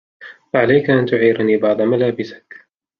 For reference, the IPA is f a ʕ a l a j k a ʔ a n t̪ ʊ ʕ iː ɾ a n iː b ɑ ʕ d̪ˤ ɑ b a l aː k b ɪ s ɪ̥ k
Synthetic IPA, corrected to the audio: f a ʕ a l a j k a ʔ a n t̪ ʊ ʕ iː ɾ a n iː b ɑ ʕ d̪ˤ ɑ m a l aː b ɪ s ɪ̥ k